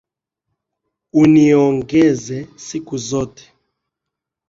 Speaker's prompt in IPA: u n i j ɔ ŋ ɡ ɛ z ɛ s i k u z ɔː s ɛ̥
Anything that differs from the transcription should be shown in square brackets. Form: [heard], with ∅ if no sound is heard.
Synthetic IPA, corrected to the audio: u n i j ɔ ŋ ɡ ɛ z ɛ s i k u z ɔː [t] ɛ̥